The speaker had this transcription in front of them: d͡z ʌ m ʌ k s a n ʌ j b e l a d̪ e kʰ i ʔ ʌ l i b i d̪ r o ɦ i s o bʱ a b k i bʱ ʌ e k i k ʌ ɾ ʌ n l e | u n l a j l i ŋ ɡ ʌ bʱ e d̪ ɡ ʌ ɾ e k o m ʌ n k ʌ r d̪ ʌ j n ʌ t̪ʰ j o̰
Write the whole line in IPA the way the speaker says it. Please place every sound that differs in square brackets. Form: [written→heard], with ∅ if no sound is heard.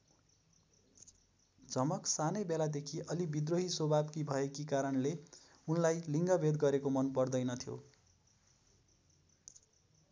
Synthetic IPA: d͡z ʌ m ʌ k s a n ʌ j b e l a d̪ e kʰ i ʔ ʌ l i b i d̪ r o ɦ i s o bʱ a b k i bʱ ʌ e k i k [ʌ→a] ɾ ʌ n l e | u n l a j l i ŋ ɡ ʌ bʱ e d̪ ɡ ʌ ɾ e k o m ʌ n [k→p] ʌ r d̪ ʌ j n ʌ t̪ʰ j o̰